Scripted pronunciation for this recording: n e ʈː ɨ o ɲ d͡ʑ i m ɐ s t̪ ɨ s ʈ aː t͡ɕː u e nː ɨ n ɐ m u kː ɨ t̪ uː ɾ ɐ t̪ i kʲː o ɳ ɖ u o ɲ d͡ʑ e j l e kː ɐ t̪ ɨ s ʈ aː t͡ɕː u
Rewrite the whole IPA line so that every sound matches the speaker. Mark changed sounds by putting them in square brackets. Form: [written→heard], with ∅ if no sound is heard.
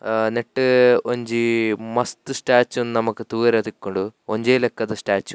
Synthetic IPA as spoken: n e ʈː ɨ o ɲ d͡ʑ i m ɐ s t̪ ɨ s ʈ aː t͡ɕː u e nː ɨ n ɐ m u kː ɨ t̪ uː ɾ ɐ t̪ i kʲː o ɳ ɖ u o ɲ d͡ʑ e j l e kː ɐ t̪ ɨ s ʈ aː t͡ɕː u